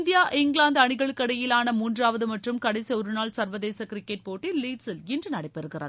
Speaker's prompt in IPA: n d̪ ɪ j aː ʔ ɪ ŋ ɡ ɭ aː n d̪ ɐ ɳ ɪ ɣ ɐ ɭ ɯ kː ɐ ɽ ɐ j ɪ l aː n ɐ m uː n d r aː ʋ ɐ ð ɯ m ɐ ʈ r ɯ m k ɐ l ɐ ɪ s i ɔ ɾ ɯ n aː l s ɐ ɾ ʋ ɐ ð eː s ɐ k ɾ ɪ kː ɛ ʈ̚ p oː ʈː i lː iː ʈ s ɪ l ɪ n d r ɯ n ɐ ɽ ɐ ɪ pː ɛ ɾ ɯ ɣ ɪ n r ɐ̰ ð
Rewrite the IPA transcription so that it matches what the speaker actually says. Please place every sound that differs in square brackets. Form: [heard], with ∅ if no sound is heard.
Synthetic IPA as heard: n d̪ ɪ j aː ʔ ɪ ŋ ɡ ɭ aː n d̪ ɐ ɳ ɪ ɣ ɐ ɭ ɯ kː ɐ ɽ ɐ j ɪ l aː n ɐ m uː n d r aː ʋ ɐ ð ɯ m ɐ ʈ r ɯ m k ɐ [ɽ] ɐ ɪ s i ɔ ɾ ɯ n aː l s ɐ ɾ ʋ ɐ ð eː s ɐ k ɾ ɪ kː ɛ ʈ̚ p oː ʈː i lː iː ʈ s ɪ l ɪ n d r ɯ n ɐ ɽ ɐ ɪ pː ɛ ɾ ɯ ɣ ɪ [∅] r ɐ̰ ð